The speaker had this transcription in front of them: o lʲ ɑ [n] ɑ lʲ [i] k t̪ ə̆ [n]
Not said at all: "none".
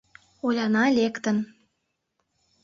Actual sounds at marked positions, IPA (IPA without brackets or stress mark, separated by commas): n, e, n